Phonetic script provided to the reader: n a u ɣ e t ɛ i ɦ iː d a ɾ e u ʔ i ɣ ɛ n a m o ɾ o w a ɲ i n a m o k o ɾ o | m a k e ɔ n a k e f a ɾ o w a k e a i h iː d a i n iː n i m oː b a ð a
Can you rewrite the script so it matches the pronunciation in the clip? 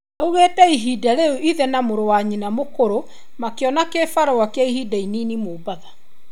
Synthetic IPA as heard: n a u ɣ e t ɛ i ɦ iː d a ɾ e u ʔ i ð ɛ n a m o ɾ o w a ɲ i n a m o k o ɾ o | m a k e ɔ n a k e f a ɾ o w a k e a i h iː d a i n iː n i m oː b a ð a